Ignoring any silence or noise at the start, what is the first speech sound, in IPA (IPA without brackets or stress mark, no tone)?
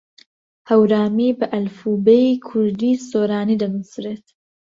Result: h